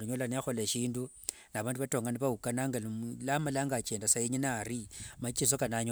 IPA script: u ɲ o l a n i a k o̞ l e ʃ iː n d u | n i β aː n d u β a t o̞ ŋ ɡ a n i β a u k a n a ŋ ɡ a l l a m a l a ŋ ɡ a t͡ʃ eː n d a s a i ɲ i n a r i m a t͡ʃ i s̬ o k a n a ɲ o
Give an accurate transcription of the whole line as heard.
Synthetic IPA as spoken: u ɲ o l a n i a x o̞ l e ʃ iː n d u | n a β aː n d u β a t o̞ ŋ ɡ a n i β a u k a n a ŋ ɡ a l l a m a l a ŋ ɡ a t͡ʃ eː n d a s a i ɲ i n a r i m a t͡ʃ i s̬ o k a n a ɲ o